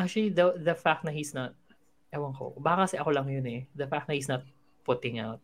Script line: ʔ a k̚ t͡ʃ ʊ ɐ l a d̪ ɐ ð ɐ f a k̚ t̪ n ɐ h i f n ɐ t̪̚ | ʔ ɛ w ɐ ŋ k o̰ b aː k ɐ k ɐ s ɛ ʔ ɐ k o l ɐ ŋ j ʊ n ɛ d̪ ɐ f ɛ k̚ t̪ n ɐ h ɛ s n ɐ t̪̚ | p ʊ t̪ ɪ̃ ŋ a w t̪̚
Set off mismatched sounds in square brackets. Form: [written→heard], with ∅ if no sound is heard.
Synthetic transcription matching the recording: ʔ a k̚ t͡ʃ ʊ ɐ l [a→i] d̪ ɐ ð ɐ f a k̚ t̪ n ɐ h i [f→s] n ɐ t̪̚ | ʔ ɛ w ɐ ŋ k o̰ b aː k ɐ k ɐ s ɛ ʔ ɐ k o l ɐ ŋ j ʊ n ɛ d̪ ɐ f [ɛ→a] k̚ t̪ n ɐ h [ɛ→i] s n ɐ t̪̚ | p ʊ t̪ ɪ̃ ŋ a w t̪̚